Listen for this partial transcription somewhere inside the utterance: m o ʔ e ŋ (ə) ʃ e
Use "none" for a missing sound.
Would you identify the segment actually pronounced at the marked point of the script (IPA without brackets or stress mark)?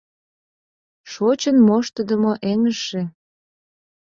ə